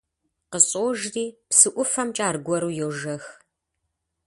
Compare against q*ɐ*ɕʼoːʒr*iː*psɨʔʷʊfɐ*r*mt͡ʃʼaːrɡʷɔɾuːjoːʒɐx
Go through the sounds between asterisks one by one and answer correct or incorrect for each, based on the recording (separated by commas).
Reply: incorrect, correct, incorrect